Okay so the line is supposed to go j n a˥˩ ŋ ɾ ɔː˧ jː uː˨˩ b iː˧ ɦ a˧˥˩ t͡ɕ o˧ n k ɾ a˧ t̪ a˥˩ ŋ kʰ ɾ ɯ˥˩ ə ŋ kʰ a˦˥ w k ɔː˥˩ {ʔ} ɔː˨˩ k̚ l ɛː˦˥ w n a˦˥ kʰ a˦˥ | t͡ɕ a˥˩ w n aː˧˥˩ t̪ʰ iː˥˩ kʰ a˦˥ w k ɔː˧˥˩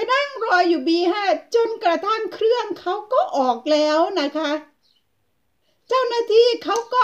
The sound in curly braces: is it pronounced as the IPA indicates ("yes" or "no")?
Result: yes